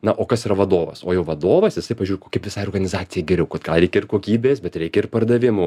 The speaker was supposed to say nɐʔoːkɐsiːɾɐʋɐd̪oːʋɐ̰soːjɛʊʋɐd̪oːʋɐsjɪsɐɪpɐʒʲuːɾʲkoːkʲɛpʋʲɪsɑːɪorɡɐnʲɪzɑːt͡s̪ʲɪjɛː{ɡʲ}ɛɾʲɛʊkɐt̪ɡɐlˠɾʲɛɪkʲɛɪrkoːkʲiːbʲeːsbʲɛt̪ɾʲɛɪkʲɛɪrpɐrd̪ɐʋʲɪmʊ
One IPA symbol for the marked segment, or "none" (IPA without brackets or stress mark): ɡʲ